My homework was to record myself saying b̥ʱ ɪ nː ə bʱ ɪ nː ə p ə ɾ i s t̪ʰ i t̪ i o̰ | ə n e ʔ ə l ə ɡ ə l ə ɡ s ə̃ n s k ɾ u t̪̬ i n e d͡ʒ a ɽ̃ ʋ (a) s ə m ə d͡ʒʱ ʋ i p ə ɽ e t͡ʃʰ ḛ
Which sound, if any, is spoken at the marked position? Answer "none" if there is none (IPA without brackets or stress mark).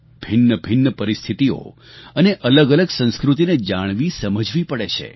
i